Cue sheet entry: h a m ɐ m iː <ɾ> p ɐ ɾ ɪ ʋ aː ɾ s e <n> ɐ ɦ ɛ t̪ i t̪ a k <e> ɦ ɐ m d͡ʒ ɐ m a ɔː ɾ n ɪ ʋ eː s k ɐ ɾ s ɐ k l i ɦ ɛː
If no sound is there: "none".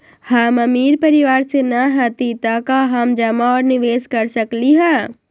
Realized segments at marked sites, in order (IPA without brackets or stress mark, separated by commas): ɾ, n, a